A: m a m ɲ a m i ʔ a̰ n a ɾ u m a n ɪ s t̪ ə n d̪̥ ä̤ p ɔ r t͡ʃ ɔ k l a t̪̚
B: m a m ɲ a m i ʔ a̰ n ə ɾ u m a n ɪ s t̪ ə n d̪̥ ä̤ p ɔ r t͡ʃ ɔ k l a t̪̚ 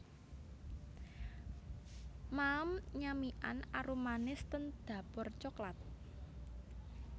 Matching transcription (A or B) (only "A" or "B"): A